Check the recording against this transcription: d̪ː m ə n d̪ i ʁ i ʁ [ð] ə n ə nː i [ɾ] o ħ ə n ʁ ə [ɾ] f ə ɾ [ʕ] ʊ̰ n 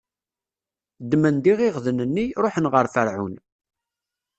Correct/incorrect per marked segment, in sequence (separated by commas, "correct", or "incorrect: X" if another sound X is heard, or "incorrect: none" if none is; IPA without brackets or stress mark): correct, correct, correct, correct